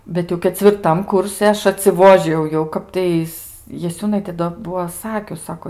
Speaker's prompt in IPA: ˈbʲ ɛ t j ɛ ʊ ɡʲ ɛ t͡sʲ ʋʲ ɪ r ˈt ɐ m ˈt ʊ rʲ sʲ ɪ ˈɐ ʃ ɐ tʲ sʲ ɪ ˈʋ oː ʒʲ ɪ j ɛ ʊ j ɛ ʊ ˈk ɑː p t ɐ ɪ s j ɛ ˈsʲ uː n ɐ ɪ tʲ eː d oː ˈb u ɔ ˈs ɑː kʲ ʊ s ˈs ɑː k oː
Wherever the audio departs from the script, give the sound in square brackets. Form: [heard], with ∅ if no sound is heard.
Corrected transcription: ˈbʲ ɛ t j ɛ ʊ [kʲ] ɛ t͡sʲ ʋʲ ɪ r ˈt ɐ m [ˈk] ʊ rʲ sʲ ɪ ˈɐ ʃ ɐ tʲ sʲ ɪ ˈʋ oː ʒʲ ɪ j ɛ ʊ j ɛ ʊ ˈk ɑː p t ɐ ɪ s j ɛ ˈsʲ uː n ɐ ɪ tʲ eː d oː ˈb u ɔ ˈs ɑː kʲ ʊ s ˈs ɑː k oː